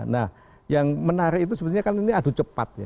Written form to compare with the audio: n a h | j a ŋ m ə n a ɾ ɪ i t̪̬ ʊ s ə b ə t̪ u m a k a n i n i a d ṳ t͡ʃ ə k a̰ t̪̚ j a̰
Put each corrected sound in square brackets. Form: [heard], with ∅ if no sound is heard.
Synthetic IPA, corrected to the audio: n a h | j a ŋ m ə n a ɾ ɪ i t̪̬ [u] s ə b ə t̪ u [ɲ] a k a n i n i a d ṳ t͡ʃ ə [p] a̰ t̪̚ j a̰